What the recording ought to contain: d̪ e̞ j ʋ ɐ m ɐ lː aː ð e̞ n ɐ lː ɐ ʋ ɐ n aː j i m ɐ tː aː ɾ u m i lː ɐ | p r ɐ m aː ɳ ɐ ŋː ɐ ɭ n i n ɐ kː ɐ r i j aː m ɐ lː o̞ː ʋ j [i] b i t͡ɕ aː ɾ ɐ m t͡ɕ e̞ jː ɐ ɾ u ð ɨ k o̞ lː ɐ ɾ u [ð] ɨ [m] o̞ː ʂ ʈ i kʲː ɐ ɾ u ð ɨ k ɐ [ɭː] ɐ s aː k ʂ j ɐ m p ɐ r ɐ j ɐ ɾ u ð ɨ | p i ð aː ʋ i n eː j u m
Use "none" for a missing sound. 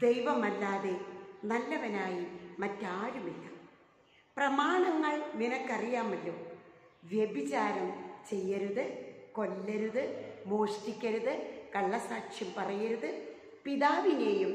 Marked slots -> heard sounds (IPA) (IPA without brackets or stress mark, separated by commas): e, ð, m, ɭː